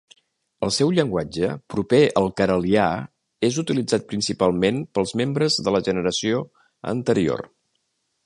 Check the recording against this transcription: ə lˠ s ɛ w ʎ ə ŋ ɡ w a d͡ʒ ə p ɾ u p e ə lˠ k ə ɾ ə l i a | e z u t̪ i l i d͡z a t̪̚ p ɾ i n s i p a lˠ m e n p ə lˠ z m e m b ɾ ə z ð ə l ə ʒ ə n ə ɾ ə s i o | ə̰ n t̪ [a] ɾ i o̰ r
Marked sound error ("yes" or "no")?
yes